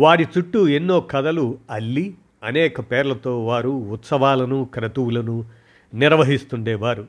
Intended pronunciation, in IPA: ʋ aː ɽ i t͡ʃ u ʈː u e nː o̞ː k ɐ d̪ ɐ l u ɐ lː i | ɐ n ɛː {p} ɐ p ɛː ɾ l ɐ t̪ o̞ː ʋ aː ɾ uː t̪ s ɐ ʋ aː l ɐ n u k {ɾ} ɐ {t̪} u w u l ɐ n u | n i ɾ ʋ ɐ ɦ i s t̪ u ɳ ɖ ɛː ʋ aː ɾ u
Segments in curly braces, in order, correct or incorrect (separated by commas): incorrect, correct, correct